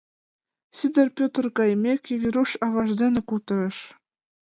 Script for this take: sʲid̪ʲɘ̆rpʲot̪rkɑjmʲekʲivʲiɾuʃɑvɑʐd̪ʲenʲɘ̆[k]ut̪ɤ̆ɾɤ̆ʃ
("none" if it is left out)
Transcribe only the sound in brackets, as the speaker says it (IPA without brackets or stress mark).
k